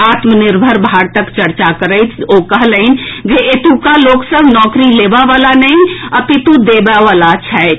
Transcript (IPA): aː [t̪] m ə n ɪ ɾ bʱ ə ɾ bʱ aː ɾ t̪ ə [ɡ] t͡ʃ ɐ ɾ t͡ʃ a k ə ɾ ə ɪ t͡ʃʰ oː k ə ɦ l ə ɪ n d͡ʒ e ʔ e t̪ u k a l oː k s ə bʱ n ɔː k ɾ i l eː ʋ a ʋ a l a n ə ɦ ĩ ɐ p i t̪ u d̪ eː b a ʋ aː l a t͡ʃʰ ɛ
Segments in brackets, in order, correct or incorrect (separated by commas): correct, incorrect